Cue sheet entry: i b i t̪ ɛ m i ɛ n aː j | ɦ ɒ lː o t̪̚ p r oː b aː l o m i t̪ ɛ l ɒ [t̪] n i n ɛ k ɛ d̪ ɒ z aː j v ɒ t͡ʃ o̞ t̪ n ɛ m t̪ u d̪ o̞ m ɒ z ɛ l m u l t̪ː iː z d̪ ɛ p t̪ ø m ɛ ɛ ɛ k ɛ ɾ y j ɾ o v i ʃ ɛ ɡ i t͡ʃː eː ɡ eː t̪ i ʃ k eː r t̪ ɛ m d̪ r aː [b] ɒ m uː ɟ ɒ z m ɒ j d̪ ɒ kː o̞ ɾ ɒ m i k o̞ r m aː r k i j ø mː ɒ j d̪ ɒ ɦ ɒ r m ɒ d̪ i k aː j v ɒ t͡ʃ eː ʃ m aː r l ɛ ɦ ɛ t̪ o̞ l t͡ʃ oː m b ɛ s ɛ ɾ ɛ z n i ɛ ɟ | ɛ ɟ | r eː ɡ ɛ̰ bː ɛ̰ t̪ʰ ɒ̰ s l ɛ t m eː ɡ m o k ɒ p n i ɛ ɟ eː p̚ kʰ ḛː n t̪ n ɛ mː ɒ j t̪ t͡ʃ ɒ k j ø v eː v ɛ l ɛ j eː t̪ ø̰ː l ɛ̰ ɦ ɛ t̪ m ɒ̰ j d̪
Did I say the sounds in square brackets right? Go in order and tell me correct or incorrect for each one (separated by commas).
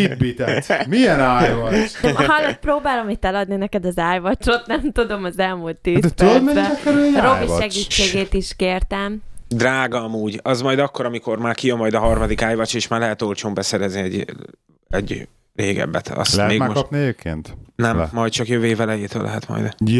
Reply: incorrect, incorrect